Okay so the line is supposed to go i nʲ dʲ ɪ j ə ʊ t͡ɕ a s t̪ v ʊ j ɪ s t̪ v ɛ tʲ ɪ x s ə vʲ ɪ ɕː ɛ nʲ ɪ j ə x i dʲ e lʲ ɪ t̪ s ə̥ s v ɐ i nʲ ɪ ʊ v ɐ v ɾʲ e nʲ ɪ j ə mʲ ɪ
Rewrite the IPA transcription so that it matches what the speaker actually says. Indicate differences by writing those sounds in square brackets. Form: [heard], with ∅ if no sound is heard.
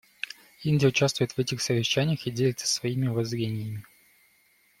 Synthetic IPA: i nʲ dʲ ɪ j ə ʊ t͡ɕ a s t̪ v ʊ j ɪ [∅] t̪ v ɛ tʲ ɪ x s ə vʲ ɪ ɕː [æ] nʲ ɪ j ə x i dʲ e lʲ ɪ t̪ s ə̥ s v ɐ i [mʲ] ɪ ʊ v ɐ [z] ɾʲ e nʲ ɪ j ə mʲ ɪ

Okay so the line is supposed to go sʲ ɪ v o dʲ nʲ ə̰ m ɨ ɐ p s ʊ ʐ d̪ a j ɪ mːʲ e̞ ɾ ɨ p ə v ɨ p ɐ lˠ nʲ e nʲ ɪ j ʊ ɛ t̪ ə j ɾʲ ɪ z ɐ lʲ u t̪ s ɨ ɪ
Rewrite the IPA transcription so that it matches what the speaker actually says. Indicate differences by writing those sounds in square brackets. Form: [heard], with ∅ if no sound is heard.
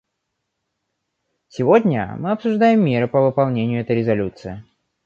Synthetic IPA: sʲ ɪ v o dʲ nʲ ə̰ m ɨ ɐ p s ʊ ʐ d̪ a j ɪ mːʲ e̞ ɾ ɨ p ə v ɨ p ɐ lˠ nʲ e nʲ ɪ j ʊ ɛ t̪ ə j ɾʲ ɪ z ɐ lʲ u t̪ s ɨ ɪ

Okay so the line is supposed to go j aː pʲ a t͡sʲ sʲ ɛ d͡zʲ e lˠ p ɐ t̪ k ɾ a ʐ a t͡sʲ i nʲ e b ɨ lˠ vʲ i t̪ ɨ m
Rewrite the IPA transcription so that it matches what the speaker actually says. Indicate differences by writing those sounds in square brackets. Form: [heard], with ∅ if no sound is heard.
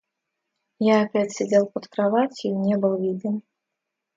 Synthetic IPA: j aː pʲ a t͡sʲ sʲ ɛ d͡zʲ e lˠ p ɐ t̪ k ɾ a [v] a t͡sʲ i nʲ [ɛ] b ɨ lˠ vʲ i [d̪] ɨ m

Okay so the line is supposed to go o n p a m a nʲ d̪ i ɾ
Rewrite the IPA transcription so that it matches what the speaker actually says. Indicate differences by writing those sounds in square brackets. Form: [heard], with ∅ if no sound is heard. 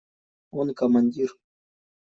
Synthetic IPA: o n [k] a m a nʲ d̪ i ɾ

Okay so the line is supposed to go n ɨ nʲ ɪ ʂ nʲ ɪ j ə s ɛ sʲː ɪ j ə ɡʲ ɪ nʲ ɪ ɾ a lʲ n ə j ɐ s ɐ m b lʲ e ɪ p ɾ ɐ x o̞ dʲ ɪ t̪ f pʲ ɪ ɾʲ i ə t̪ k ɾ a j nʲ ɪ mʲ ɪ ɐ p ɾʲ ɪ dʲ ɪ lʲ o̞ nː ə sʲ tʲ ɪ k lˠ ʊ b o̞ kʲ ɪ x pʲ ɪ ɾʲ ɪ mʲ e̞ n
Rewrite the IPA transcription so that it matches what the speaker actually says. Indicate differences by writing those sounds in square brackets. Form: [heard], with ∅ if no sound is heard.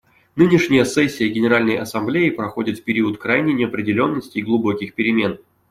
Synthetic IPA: n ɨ nʲ ɪ ʂ nʲ ɪ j ə s ɛ sʲː ɪ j ə ɡʲ ɪ nʲ ɪ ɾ a lʲ n ə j ɐ s ɐ m b lʲ e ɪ p ɾ ɐ x o̞ dʲ ɪ t̪ f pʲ ɪ ɾʲ i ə t̪ k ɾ a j nʲ ɪ [nʲ] ɪ ɐ p ɾʲ ɪ dʲ ɪ lʲ o̞ nː ə sʲ tʲ ɪ [ɡ] lˠ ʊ b o̞ kʲ ɪ x pʲ ɪ ɾʲ ɪ mʲ e̞ n

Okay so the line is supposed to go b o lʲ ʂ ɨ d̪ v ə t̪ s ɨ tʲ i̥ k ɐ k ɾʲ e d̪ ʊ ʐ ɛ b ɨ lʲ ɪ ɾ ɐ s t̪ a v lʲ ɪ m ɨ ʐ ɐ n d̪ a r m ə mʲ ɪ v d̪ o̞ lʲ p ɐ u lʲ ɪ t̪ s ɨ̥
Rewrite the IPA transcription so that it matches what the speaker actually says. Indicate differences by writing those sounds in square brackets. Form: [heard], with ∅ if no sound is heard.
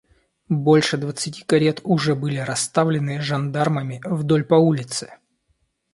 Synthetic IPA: b o lʲ ʂ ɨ d̪ v ə t̪ s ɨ tʲ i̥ k ɐ [∅] ɾʲ e [t̪] ʊ ʐ ɛ b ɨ lʲ ɪ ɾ ɐ s t̪ a v lʲ ɪ [n] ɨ ʐ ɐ n d̪ a r m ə mʲ ɪ v d̪ o̞ lʲ p ɐ u lʲ ɪ t̪ s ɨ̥

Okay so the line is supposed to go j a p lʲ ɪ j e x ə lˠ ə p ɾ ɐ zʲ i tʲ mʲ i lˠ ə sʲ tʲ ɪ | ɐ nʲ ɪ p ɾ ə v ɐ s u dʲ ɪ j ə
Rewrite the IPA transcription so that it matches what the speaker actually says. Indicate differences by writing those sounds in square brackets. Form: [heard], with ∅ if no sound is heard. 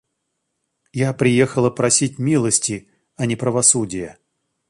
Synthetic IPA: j a p [ɾʲ] ɪ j e x ə lˠ ə p ɾ ɐ [sʲ] i tʲ mʲ i lˠ ə sʲ tʲ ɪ | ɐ nʲ ɪ p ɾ ə v ɐ s u dʲ ɪ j ə

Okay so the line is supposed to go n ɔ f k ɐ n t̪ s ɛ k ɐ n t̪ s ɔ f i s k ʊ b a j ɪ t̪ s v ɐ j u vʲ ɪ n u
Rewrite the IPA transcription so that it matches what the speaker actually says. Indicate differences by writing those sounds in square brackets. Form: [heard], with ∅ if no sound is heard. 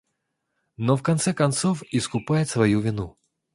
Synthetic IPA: n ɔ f k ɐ n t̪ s ɛ k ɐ n t̪ s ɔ f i s k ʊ [p] a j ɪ t̪ s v ɐ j u vʲ ɪ n u

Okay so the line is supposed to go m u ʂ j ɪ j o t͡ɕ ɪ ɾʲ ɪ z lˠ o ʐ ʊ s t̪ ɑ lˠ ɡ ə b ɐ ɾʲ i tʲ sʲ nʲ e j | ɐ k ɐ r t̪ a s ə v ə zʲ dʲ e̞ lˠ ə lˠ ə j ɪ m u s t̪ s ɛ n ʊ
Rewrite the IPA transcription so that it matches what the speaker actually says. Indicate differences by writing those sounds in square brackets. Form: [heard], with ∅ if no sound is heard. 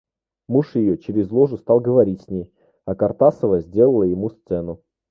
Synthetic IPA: m u ʂ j ɪ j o t͡ɕ ɪ ɾʲ ɪ z lˠ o ʐ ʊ s t̪ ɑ lˠ ɡ ə [v] ɐ ɾʲ i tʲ sʲ nʲ e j | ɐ k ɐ r t̪ a s ə v ə zʲ dʲ e̞ lˠ ə lˠ ə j ɪ m u s t̪ s ɛ n ʊ

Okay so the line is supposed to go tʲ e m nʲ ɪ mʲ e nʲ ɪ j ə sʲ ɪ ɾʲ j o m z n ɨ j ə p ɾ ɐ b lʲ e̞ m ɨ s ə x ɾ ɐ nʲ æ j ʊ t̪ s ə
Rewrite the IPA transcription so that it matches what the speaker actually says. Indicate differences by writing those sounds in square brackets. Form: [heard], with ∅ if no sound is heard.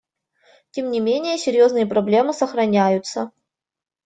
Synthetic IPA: tʲ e m nʲ ɪ mʲ e nʲ ɪ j ə sʲ ɪ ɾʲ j o [∅] z n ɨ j ə p ɾ ɐ b lʲ e̞ m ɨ s ə x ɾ ɐ nʲ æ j ʊ t̪ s ə

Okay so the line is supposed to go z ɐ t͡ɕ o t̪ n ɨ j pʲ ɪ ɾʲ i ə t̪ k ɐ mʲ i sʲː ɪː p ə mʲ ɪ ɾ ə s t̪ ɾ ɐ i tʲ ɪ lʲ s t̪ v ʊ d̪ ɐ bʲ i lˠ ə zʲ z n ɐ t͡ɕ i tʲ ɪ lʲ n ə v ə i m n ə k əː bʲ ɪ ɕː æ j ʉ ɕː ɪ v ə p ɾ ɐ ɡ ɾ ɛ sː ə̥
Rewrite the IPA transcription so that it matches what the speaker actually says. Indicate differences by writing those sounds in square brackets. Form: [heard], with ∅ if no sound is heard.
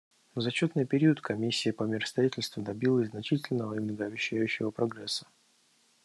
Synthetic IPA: z ɐ t͡ɕ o t̪ n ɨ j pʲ ɪ ɾʲ i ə t̪ k ɐ mʲ i sʲː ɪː p ə mʲ ɪ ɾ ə s t̪ ɾ ɐ i tʲ ɪ lʲ s t̪ v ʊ d̪ ɐ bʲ i lˠ ə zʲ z n ɐ t͡ɕ i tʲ ɪ lʲ n ə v ə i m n ə [ɡ] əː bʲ ɪ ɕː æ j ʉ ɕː ɪ v ə p ɾ ɐ ɡ ɾ ɛ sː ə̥

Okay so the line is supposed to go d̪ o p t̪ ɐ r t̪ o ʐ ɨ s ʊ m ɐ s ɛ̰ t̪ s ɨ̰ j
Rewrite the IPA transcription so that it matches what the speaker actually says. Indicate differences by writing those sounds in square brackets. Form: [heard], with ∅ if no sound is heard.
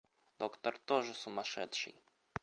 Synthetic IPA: d̪ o [k] t̪ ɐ r t̪ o ʐ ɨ s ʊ m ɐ [ʂ] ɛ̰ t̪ [ʂ] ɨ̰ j

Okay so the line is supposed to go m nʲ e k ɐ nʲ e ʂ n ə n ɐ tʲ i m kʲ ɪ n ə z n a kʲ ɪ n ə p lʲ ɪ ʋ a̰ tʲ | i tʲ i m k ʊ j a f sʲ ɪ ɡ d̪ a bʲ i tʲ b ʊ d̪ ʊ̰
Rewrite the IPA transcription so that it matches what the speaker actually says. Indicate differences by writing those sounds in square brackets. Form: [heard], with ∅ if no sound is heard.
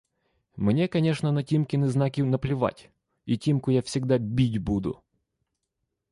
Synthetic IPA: m nʲ e k ɐ nʲ e ʂ n ə n ɐ tʲ i m kʲ ɪ n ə z n a kʲ ɪ n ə p lʲ ɪ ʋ a̰ tʲ | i tʲ i m k ʊ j a f sʲ ɪ ɡ d̪ a bʲ i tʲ b [u] d̪ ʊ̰

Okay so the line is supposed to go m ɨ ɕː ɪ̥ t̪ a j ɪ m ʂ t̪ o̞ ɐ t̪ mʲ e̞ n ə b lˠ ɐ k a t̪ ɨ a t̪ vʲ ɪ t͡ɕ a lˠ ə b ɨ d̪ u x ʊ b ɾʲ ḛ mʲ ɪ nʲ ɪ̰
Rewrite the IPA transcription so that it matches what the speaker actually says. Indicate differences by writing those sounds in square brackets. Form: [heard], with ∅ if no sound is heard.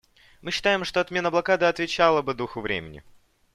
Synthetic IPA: m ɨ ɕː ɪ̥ t̪ a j ɪ m ʂ t̪ o̞ ɐ t̪ mʲ e̞ n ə b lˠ ɐ k a [d̪] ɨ [ɐ] t̪ vʲ ɪ t͡ɕ a lˠ ə b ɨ d̪ u x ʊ [v] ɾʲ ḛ mʲ ɪ nʲ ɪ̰

